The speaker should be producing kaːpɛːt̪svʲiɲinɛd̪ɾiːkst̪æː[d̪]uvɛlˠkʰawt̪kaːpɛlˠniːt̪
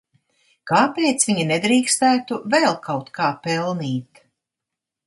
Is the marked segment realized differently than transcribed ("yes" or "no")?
yes